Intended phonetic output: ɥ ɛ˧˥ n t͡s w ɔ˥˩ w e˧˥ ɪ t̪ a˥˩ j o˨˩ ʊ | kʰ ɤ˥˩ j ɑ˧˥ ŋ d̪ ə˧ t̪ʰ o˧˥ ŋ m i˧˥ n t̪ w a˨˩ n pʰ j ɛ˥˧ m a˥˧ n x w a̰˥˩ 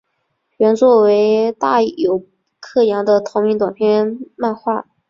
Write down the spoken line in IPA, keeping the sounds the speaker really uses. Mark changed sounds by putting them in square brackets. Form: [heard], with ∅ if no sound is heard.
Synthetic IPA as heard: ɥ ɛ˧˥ n t͡s w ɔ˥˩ w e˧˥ ɪ t̪ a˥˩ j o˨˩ ʊ | kʰ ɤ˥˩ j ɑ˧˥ ŋ d̪ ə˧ t̪ʰ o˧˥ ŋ m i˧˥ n t̪ w a˨˩ n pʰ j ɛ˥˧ m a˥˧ n x w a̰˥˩